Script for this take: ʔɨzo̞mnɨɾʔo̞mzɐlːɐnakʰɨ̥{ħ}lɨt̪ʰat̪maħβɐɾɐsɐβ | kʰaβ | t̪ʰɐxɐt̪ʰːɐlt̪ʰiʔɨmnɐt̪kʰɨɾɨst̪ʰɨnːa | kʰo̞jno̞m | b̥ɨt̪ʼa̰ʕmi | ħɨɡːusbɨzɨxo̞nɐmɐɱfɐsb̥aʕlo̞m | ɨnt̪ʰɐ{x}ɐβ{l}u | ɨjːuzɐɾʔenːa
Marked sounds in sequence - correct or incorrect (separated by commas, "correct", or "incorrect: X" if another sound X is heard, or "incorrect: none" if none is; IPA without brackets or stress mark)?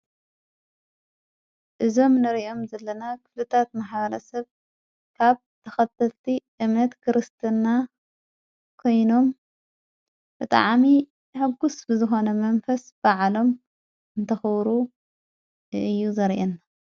incorrect: f, correct, incorrect: ɾ